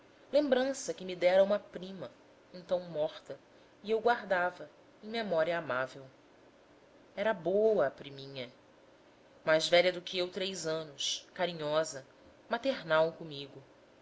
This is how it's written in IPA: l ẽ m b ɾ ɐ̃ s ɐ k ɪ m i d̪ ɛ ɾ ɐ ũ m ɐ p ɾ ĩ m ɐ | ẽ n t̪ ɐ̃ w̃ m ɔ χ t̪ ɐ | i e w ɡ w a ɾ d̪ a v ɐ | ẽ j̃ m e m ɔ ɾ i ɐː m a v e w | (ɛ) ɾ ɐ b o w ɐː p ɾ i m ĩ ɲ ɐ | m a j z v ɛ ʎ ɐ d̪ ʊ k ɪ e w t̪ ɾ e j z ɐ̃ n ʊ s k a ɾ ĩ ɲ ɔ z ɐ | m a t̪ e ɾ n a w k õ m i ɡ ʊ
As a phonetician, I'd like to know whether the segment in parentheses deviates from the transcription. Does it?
no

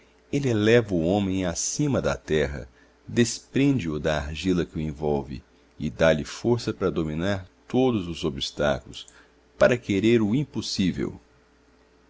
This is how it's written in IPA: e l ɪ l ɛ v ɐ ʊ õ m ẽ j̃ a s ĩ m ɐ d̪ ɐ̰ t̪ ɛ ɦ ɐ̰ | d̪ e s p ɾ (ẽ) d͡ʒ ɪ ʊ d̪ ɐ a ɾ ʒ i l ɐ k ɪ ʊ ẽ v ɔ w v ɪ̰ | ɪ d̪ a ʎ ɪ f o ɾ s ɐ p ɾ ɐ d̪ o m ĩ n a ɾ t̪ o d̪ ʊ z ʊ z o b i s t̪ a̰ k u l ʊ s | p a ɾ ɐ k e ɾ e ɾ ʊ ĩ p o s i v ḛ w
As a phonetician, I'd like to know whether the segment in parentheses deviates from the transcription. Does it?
no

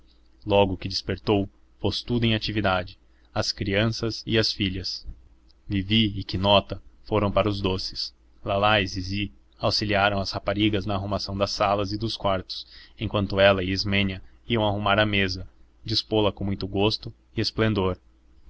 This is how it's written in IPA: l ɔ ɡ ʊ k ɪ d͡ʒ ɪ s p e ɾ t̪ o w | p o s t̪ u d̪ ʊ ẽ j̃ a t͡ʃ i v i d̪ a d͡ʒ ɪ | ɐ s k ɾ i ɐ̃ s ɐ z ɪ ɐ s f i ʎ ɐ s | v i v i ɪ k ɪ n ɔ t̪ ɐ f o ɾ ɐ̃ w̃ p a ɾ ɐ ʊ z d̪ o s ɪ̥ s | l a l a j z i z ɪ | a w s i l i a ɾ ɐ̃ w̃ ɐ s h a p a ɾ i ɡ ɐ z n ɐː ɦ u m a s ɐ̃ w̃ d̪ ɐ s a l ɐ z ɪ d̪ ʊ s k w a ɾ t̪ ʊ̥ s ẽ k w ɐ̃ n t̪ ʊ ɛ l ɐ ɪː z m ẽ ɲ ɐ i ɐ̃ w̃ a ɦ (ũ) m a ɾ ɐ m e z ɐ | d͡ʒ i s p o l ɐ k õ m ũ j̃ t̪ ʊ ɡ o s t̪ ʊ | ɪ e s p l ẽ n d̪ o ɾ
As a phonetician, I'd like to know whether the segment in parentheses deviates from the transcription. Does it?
yes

